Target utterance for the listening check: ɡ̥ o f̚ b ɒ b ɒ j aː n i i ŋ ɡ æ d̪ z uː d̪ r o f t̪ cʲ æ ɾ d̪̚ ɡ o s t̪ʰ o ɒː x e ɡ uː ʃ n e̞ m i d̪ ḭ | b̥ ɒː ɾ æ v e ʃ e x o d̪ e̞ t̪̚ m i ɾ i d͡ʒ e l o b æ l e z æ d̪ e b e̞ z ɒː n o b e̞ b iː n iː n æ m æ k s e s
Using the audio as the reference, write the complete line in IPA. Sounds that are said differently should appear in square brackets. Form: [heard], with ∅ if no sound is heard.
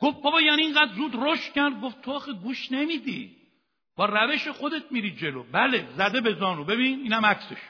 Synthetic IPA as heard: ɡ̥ o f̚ b ɒ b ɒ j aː n i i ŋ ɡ æ d̪ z uː d̪ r o [ʃ] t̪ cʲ æ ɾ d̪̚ ɡ o [f] t̪ʰ o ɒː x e ɡ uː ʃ n e̞ m i d̪ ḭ | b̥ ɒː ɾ æ v e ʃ e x o d̪ e̞ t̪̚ m i ɾ i d͡ʒ e l o b æ l e z æ d̪ e b e̞ z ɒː n o b e̞ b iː n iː n æ m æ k s e [ʃ]